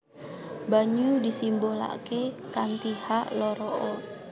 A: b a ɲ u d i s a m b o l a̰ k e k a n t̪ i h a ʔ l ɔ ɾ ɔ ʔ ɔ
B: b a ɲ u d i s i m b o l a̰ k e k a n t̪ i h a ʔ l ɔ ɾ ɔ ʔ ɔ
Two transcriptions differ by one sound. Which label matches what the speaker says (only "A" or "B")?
B